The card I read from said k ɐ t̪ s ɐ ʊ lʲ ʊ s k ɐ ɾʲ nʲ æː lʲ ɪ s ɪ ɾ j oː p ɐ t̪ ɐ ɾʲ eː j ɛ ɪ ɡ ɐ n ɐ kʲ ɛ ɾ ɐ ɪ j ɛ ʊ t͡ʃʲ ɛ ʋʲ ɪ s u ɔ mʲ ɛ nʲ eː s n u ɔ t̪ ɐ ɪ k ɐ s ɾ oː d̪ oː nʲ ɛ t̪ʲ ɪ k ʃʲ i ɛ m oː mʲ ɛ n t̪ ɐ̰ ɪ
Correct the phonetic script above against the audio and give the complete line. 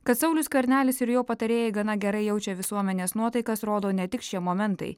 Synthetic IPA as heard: k ɐ t̪ s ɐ ʊ lʲ ʊ s k ɐ ɾʲ nʲ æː lʲ ɪ s ɪ ɾ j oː p ɐ t̪ ɐ ɾʲ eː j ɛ ɪ ɡ ɐ n ɐ ɡʲ ɛ ɾ ɐ ɪ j ɛ ʊ t͡ʃʲ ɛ ʋʲ ɪ s u ɔ mʲ ɛ nʲ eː s n u ɔ t̪ ɐ ɪ k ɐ s ɾ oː d̪ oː nʲ ɛ t̪ʲ ɪ k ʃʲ i ɛ m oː mʲ ɛ n t̪ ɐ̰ ɪ

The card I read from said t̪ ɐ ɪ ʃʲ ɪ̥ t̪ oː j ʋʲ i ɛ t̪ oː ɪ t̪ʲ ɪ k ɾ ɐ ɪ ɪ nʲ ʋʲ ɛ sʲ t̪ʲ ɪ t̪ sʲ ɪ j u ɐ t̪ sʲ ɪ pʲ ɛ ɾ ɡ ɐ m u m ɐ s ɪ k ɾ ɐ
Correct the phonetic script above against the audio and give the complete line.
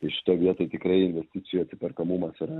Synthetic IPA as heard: t̪ ɐ ɪ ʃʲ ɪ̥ t̪ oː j ʋʲ i ɛ t̪ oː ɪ t̪ʲ ɪ k ɾ ɐ ɪ ɪ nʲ ʋʲ ɛ sʲ t̪ʲ ɪ t̪ sʲ ɪ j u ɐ t̪ sʲ ɪ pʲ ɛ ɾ k ɐ m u m ɐ s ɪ ɾ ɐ

